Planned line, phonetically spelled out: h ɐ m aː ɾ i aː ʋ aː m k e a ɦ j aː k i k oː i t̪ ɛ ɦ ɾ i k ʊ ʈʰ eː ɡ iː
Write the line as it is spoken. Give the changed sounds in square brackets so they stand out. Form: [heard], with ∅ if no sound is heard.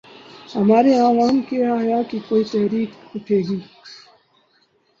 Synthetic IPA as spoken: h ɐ m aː ɾ [e] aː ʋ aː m k e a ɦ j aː k i k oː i t̪ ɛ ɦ ɾ [iː] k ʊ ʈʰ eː ɡ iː